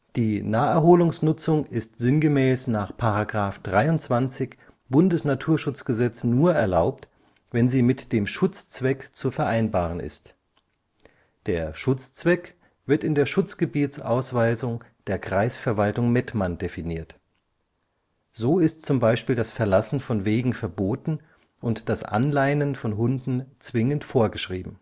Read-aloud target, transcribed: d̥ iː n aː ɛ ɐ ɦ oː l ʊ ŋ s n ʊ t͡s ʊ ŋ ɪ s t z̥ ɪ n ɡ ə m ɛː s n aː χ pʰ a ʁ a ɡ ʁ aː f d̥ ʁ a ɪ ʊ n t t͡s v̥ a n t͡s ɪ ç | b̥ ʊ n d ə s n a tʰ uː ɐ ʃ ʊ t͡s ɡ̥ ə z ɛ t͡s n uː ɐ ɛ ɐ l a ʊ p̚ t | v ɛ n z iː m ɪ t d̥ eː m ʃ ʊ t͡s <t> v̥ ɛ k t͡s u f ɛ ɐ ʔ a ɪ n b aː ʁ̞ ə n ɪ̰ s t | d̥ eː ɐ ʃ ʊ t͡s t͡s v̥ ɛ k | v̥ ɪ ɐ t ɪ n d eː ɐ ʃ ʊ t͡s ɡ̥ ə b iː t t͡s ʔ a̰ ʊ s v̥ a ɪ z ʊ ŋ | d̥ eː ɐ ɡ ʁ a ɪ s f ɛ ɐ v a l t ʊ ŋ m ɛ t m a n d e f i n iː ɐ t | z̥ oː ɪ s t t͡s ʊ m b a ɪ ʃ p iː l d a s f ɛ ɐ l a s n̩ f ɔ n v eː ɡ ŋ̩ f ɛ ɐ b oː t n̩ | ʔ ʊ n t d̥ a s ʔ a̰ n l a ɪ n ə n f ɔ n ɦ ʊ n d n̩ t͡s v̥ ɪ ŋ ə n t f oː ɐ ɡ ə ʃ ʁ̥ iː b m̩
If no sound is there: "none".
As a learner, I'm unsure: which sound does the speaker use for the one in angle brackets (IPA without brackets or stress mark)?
t͡s